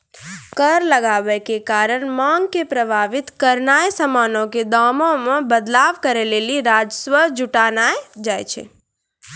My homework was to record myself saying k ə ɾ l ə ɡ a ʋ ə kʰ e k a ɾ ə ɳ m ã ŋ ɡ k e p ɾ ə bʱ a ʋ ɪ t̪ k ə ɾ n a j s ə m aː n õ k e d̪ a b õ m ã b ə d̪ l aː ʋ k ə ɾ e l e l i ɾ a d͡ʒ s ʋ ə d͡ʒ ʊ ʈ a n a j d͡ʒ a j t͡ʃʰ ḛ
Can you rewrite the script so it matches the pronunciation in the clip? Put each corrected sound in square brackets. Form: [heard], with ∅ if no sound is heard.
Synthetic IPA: k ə ɾ l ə ɡ a ʋ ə [k] e k a ɾ ə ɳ m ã ŋ ɡ k e p ɾ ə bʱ a ʋ ɪ t̪ k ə ɾ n a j s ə m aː n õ k e d̪ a [m] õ m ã b ə d̪ l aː ʋ k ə ɾ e l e l i ɾ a d͡ʒ s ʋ ə d͡ʒ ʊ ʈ a n a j d͡ʒ a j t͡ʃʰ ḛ